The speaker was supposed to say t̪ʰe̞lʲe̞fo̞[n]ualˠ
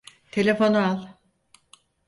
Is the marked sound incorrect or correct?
correct